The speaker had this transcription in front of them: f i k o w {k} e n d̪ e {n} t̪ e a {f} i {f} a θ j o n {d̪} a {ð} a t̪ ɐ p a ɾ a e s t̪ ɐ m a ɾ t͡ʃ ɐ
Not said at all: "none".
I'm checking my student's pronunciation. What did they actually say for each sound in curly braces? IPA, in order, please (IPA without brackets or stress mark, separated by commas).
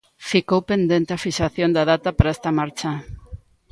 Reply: p, n, f, ʃ, d̪, ð